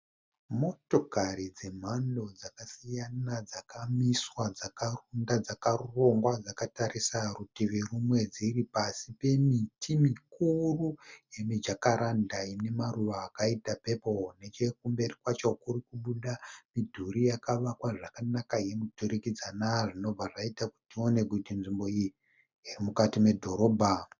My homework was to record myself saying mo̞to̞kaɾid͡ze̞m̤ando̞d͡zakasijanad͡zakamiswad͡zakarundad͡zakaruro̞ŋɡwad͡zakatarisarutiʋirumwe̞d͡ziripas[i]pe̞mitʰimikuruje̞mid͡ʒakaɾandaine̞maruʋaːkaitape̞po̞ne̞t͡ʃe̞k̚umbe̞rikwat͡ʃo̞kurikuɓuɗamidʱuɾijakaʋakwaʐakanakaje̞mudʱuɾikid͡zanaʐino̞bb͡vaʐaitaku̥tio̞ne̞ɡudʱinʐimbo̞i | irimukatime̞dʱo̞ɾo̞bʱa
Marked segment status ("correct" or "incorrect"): correct